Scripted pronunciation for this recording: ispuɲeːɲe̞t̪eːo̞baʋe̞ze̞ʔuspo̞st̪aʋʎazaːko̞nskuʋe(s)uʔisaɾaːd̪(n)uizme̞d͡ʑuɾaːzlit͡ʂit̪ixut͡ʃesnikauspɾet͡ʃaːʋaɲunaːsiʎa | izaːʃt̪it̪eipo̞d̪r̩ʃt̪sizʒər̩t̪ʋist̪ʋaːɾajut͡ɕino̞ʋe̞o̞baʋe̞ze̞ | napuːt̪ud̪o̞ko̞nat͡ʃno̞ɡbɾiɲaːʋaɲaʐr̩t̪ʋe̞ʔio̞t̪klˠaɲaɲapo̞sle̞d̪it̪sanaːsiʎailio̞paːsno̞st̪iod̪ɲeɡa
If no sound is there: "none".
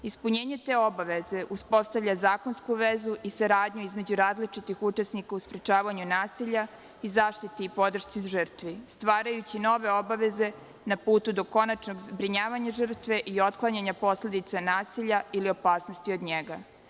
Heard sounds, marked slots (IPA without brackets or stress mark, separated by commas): z, ɲ